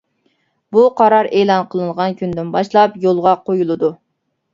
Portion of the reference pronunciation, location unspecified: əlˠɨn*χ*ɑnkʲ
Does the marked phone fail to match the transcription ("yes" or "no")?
yes